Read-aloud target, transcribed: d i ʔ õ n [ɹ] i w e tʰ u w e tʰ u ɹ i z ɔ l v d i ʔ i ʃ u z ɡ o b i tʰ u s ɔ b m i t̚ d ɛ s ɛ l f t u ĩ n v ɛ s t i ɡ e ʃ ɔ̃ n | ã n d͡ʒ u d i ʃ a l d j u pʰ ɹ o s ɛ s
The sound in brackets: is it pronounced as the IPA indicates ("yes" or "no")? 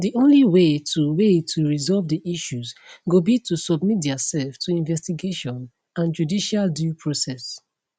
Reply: no